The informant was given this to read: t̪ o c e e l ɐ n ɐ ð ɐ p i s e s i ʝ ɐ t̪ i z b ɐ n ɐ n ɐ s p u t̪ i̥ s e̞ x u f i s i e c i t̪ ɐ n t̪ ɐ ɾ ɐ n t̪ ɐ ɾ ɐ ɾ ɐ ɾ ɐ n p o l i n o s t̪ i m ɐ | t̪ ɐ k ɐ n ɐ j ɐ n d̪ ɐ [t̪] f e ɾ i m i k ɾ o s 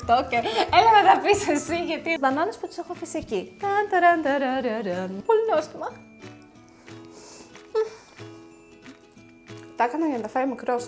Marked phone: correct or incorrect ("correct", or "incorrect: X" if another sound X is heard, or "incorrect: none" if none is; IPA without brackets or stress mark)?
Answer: incorrect: none